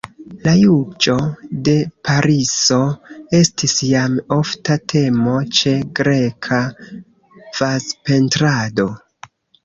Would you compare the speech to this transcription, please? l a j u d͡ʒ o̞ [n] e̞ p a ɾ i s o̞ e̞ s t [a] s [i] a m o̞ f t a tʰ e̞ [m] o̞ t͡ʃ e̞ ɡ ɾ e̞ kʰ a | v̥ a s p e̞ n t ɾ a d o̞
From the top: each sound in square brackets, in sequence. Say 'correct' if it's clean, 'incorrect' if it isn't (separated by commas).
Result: incorrect, incorrect, incorrect, correct